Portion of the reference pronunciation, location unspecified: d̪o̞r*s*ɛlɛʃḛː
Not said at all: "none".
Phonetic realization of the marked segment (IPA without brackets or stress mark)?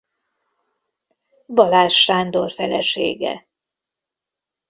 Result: f